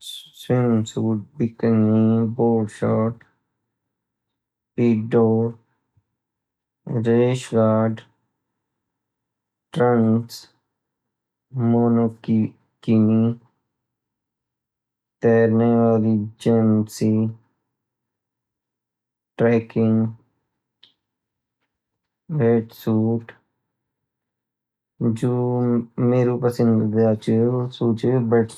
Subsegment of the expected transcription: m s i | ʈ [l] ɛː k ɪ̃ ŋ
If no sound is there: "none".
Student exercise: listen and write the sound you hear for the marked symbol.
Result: ɾ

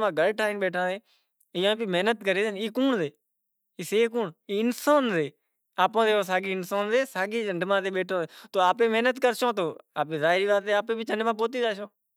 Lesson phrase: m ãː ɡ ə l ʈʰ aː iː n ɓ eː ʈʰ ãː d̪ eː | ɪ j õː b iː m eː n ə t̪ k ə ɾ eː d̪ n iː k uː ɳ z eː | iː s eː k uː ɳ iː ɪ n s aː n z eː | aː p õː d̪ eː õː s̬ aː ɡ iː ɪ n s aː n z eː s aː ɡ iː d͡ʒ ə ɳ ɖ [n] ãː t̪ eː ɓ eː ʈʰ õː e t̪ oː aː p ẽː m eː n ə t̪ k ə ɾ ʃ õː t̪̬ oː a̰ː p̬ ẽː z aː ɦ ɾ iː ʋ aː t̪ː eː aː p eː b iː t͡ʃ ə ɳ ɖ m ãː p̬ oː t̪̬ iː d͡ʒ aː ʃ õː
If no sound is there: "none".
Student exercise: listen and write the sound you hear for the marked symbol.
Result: m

